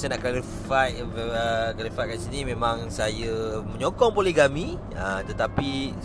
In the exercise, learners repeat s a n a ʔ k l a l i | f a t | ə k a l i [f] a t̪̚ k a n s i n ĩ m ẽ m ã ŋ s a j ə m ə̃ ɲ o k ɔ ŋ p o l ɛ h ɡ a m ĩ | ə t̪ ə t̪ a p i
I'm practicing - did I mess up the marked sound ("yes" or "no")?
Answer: no